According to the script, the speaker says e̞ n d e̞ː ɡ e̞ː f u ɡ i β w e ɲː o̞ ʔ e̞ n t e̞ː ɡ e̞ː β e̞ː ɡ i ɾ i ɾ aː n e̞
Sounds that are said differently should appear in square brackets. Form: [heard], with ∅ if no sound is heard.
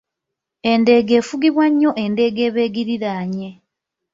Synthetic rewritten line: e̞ n d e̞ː ɡ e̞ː f u ɡ i β w [a] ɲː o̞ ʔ e̞ n [d] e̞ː ɡ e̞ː β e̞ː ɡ i ɾ i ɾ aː [ɲ] e̞